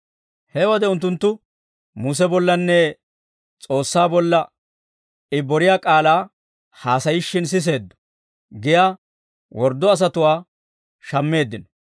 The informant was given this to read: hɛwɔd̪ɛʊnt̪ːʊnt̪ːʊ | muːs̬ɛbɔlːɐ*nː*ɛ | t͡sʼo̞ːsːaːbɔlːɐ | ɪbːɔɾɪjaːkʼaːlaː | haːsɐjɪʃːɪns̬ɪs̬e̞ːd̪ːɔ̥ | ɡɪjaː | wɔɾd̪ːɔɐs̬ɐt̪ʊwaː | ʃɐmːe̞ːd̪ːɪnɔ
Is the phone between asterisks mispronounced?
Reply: no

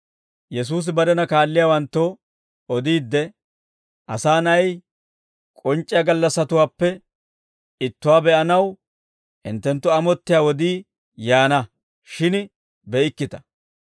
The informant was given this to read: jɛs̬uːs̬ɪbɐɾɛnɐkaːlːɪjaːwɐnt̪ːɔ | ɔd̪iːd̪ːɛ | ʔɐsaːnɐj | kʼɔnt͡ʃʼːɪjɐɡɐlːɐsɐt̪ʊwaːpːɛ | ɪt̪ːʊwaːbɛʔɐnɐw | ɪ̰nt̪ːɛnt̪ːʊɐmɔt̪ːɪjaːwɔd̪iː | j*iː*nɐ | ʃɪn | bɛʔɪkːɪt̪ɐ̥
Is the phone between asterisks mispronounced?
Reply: yes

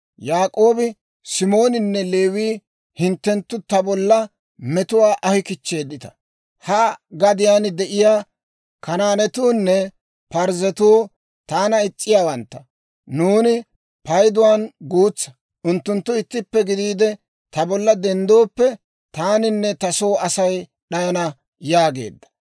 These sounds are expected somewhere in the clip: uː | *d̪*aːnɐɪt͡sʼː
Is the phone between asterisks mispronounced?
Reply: yes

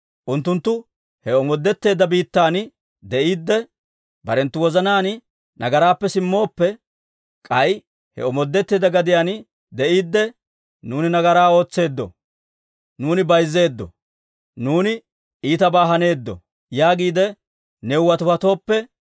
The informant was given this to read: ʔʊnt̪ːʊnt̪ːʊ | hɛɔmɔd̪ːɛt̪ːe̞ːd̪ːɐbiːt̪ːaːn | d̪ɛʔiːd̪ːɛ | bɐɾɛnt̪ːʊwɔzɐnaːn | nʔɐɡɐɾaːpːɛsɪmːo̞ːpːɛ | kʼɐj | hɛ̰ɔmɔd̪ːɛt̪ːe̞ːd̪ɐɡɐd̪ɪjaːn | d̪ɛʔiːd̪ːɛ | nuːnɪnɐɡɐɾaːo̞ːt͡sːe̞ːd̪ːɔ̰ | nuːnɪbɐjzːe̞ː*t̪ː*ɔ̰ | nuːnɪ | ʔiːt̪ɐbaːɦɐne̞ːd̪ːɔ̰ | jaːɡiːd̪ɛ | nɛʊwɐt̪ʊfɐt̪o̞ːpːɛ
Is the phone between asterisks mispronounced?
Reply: yes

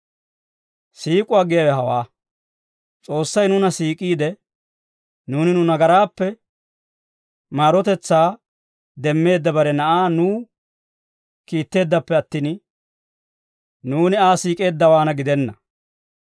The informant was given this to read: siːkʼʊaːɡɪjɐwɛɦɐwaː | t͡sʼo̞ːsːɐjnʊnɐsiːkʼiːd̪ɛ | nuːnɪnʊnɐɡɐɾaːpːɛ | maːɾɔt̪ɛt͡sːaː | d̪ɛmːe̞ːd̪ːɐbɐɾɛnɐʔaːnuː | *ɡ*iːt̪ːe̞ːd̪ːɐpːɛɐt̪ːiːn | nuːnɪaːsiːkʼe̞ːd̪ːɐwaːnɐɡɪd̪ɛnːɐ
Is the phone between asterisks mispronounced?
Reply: yes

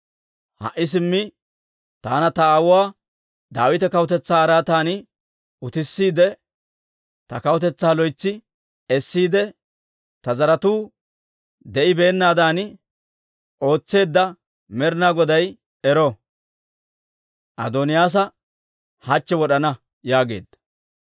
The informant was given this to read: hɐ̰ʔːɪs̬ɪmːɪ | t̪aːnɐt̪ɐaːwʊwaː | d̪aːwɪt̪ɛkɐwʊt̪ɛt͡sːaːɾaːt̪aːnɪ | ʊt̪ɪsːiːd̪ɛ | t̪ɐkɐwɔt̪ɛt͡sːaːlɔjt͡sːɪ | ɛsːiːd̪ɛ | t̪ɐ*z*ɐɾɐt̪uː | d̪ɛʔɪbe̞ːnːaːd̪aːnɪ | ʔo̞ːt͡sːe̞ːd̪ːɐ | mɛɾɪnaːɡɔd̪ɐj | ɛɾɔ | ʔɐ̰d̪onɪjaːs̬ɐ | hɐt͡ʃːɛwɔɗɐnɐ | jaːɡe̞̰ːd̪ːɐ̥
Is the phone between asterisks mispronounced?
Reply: no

